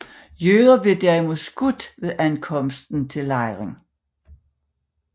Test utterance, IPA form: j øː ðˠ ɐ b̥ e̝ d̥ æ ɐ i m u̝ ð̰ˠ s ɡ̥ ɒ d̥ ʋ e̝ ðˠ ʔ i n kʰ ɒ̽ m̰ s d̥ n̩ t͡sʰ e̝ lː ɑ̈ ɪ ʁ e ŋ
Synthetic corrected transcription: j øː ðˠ ɐ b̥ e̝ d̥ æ ɐ i m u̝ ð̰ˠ s ɡ̥ u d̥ ʋ e̝ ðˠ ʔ æ n kʰ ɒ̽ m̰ s d̥ n̩ t͡sʰ e̝ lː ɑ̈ ɪ ʁ e ŋ

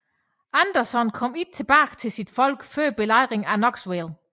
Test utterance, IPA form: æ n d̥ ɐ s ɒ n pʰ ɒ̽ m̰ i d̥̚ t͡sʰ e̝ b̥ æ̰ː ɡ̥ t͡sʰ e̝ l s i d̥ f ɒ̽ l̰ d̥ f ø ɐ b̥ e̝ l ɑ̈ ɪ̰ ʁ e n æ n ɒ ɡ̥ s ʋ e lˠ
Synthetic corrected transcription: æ n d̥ ɐ s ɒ n kʰ ɒ̽ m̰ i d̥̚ t͡sʰ e̝ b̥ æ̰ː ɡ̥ t͡sʰ e̝ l s i d̥ f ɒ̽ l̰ ɡ̥ f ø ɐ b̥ e̝ l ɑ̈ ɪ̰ ʁ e ŋ æ n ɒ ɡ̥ s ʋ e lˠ

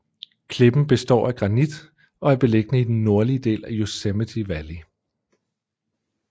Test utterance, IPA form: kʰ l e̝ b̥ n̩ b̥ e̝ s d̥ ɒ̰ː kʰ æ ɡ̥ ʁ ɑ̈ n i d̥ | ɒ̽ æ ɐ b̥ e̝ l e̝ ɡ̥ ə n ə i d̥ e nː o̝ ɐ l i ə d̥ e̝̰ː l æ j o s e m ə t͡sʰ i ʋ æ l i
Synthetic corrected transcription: kʰ l e̝ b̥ n̩ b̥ e̝ s d̥ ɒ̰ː æ ɡ̥ ʁ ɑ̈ n i d̥ | ɒ̽ æ ɐ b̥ e̝ l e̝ ɡ̥ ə n ə i d̥ e nː o̝ ɐ l i ə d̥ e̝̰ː l æ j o s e m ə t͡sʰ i ʋ æ l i

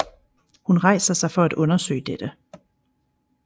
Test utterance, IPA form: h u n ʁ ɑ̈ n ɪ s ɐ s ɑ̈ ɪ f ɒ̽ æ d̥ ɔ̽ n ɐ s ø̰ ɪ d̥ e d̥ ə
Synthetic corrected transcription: h u n ʁ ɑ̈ ɪ s ɐ s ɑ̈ ɪ f ɒ̽ æ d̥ ɔ̽ n ɐ s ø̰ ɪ d̥ e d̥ ə

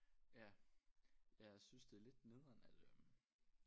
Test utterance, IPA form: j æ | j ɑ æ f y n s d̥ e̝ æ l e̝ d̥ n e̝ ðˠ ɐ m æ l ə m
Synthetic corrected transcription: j æ | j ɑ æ s y n s d̥ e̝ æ l e̝ d̥ n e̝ ðˠ ɐ n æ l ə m

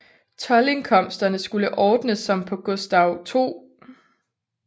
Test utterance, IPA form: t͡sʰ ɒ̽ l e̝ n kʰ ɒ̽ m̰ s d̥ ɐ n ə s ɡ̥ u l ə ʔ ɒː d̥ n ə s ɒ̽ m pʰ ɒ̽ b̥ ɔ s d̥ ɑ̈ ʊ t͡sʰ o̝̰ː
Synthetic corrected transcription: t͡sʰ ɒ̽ l e̝ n kʰ ɒ̽ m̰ s d̥ ɐ n ə s ɡ̥ u l ə ʔ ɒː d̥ n ə s ɒ̽ m pʰ ɒ̽ ɡ̥ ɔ s d̥ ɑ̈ ʊ t͡sʰ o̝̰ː

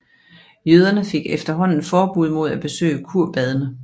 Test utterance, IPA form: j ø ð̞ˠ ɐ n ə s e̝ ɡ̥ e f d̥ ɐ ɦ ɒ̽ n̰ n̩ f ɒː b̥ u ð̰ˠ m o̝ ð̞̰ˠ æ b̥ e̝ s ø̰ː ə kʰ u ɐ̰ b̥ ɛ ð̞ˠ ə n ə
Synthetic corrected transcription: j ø ð̞ˠ ɐ n ə f e̝ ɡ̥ e f d̥ ɐ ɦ ɒ̽ n̰ n̩ f ɒː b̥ u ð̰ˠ m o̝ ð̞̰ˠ æ b̥ e̝ s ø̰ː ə kʰ u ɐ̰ b̥ ɛ ð̞ˠ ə n ə

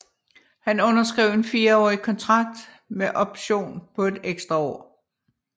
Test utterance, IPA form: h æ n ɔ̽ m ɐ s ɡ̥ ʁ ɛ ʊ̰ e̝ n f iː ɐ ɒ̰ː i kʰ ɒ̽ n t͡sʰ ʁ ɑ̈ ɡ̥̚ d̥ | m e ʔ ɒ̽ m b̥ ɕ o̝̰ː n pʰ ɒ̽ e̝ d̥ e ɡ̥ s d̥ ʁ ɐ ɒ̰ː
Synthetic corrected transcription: h æ n ɔ̽ n ɐ s ɡ̥ ʁ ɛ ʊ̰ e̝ n f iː ɐ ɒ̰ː i kʰ ɒ̽ n t͡sʰ ʁ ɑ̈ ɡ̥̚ d̥ | m e ʔ ɒ̽ b̥ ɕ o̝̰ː n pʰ ɒ̽ e̝ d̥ e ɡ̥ s d̥ ʁ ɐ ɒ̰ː

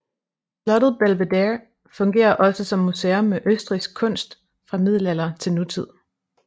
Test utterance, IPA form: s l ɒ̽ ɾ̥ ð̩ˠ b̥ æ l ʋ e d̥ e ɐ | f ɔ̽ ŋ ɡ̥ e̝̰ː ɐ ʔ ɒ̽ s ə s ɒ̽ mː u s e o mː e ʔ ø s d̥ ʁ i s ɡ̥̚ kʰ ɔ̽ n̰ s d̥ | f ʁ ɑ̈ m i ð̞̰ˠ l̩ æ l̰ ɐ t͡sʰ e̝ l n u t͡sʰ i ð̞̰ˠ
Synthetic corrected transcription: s l ɒ̽ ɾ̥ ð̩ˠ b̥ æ l ʋ e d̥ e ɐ | f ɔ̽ ŋ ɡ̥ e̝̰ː ɐ ʔ ɒ̽ s ə s ɒ̽ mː u s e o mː e ʔ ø s d̥ ʁ i s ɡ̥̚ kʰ ɔ̽ n̰ s d̥ | f ʁ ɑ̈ m i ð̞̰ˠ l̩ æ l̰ ɐ t͡sʰ e̝ l n u t͡sʰ i ð̞̰ˠ

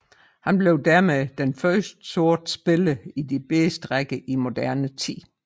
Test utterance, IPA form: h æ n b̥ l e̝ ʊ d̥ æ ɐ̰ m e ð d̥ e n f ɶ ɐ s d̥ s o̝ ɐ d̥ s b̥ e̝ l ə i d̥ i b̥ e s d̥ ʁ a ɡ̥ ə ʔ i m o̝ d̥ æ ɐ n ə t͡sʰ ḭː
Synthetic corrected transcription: h æ n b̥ l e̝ ʊ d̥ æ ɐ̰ m e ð d̥ e n f ɶ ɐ s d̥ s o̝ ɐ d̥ s b̥ e̝ l ə i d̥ i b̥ e s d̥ ʁ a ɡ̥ ə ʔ i m o̝ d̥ æ ɐ n ə t͡sʰ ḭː

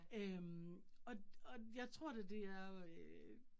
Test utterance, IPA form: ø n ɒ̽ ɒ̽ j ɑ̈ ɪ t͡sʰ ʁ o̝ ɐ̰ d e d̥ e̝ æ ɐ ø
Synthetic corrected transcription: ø m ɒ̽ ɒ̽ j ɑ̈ ɪ t͡sʰ ʁ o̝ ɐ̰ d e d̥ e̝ æ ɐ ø

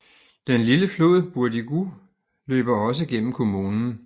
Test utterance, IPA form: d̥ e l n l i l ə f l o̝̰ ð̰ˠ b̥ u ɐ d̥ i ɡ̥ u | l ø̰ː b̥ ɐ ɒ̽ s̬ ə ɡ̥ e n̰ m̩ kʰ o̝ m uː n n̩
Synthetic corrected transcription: d̥ e n l i l ə f l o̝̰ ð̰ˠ b̥ u ɐ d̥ i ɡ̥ u | l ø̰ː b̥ ɐ ɒ̽ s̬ ə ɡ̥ e n̰ m̩ kʰ o̝ m uː n n̩

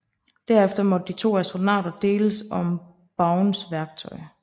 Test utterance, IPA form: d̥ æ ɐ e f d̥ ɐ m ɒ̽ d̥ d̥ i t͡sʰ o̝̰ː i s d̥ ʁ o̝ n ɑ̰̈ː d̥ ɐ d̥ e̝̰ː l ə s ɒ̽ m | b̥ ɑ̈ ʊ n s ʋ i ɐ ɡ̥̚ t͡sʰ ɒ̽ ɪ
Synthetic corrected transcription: d̥ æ ɐ e f d̥ ɐ m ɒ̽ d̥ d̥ i t͡sʰ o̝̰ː æ s d̥ ʁ o̝ n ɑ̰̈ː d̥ ɐ d̥ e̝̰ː l ə s ɒ̽ m | b̥ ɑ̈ ʊ n s ʋ æ ɐ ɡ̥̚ t͡sʰ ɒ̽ ɪ

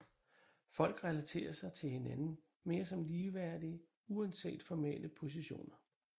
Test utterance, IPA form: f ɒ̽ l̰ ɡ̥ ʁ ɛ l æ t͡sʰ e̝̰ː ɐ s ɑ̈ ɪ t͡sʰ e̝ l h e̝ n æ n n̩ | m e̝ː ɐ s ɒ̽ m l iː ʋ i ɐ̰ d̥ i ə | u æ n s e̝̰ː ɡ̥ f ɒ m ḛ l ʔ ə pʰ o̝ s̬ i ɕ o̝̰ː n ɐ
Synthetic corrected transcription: f ɒ̽ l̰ ɡ̥ ʁ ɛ l æ t͡sʰ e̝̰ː ɐ s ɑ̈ ɪ t͡sʰ e̝ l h e̝ n æ n n̩ | m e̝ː ɐ s ɒ̽ m l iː ʋ æ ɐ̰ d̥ i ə | u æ n s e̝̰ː d̥ f ɒ m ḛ l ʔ ə pʰ o̝ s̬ i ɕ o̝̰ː n ɐ

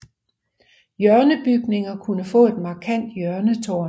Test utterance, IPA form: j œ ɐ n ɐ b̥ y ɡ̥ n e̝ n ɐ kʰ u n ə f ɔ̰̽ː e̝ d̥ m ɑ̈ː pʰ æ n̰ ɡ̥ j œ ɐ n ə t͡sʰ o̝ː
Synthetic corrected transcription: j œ ɐ n ə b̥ y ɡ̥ n e̝ ŋ ɐ kʰ u n ə f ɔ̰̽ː e̝ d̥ m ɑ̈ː kʰ æ n̰ d̥ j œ ɐ n ə t͡sʰ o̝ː

